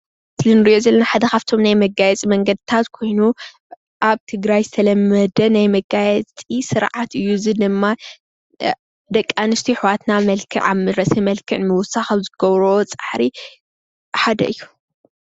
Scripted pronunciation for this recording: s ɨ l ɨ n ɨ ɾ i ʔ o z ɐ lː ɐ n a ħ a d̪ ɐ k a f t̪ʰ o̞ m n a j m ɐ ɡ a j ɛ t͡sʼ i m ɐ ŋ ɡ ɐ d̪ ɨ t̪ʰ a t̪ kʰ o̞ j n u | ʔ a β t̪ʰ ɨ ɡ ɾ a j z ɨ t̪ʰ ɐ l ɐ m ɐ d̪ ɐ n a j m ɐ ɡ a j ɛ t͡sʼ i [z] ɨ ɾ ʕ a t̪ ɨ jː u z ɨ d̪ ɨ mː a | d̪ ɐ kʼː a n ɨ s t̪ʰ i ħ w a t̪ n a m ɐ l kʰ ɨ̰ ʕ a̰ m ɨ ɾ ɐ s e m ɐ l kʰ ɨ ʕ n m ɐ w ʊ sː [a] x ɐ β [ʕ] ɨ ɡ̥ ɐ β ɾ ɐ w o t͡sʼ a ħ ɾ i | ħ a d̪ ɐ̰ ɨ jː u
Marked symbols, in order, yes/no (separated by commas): no, yes, no